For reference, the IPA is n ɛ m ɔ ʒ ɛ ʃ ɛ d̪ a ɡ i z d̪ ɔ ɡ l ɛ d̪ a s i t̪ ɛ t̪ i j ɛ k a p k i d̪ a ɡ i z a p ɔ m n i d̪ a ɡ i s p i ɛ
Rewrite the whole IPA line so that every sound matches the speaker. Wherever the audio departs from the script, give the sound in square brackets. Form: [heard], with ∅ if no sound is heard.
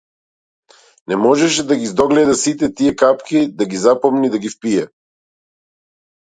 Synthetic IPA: n ɛ m ɔ ʒ ɛ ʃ ɛ d̪ a ɡ i z d̪ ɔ ɡ l ɛ d̪ a s i t̪ ɛ t̪ i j ɛ k a p k i d̪ a ɡ i z a p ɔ m n i d̪ a ɡ i [f] p i ɛ